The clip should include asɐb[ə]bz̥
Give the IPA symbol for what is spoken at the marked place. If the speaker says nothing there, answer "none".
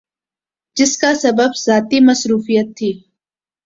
ə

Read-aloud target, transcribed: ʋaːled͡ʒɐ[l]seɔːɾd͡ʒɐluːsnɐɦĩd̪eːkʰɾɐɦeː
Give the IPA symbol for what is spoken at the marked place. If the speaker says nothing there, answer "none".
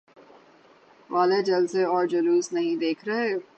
l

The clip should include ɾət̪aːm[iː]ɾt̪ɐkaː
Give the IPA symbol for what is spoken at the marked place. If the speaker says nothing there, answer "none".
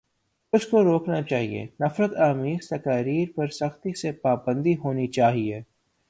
iː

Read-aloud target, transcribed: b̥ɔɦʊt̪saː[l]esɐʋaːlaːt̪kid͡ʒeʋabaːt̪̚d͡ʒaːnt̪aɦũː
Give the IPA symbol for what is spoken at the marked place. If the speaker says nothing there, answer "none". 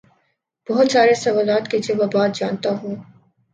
ɾ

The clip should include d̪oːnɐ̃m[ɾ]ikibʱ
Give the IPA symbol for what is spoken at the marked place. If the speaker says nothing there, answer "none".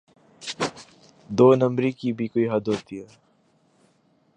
ɾ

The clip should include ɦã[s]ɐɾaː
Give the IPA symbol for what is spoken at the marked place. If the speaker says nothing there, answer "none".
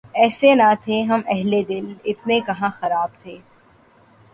x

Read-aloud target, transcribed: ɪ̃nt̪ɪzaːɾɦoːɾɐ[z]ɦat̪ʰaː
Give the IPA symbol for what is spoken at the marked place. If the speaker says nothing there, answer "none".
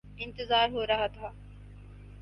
none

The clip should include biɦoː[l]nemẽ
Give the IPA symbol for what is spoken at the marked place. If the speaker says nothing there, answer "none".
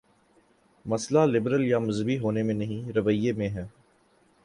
none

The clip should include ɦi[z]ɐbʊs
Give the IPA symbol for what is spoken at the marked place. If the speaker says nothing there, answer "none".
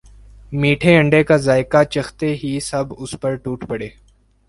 s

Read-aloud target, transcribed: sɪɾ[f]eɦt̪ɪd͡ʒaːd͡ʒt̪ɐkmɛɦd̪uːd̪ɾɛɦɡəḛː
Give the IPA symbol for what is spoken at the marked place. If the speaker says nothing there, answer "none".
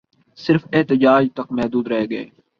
f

